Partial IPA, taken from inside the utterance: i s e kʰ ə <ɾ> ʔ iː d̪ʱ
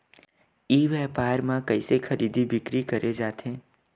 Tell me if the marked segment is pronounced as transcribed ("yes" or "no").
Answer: yes